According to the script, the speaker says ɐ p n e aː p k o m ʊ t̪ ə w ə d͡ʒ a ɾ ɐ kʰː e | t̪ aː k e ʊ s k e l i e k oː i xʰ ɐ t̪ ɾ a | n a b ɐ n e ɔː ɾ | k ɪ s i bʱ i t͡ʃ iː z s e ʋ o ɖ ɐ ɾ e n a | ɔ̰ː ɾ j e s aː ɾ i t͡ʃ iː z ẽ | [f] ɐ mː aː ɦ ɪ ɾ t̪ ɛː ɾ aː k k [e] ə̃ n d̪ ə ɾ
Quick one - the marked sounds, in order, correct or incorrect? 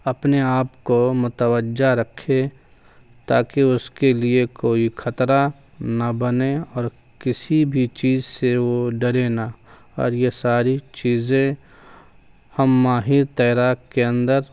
incorrect: h, correct

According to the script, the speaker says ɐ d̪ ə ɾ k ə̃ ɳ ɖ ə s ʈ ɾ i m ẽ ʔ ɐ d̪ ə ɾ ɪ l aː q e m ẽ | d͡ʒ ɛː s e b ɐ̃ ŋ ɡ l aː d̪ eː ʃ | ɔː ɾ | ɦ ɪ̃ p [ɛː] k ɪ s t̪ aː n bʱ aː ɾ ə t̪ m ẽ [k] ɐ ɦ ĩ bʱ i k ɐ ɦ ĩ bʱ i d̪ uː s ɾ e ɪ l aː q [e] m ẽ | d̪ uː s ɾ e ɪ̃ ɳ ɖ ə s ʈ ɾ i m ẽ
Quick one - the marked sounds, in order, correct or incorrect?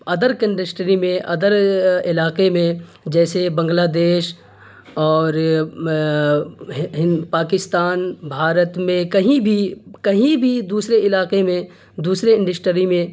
incorrect: aː, correct, correct

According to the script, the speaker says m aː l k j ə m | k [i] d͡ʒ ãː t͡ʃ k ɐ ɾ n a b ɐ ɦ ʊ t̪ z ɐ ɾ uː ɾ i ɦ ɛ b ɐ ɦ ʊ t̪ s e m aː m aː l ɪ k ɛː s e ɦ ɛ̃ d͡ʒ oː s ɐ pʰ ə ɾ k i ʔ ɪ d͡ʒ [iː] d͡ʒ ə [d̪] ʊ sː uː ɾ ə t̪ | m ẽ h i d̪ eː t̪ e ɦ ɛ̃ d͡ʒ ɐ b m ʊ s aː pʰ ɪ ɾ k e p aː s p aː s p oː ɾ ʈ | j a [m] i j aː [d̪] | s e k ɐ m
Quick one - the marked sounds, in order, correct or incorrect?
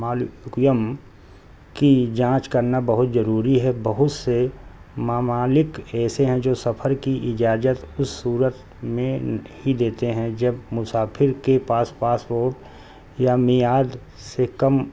correct, incorrect: aː, incorrect: t̪, correct, correct

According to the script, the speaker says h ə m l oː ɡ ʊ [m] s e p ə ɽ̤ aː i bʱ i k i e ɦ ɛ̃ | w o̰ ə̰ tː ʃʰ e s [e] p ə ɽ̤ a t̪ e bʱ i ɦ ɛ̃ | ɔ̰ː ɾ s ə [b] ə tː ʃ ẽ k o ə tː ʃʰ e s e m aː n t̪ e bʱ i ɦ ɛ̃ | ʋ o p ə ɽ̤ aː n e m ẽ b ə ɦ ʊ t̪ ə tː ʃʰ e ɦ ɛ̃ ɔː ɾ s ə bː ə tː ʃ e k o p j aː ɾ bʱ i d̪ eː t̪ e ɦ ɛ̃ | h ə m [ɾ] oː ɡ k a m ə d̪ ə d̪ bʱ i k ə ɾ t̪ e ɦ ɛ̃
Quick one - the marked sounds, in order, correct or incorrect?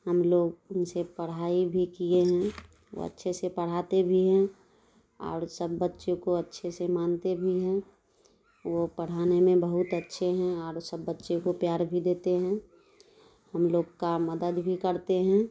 incorrect: n, correct, incorrect: bː, incorrect: l

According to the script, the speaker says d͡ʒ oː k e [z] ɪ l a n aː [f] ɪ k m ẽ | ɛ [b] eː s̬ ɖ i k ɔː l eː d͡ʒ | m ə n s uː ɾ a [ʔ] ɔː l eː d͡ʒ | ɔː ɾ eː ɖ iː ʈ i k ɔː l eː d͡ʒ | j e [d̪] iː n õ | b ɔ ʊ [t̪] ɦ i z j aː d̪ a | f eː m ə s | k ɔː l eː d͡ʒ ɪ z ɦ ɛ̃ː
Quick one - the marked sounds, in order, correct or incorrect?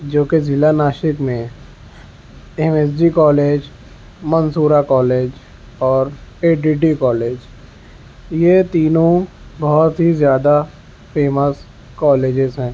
correct, incorrect: ʃ, incorrect: m, incorrect: k, incorrect: t̪, correct

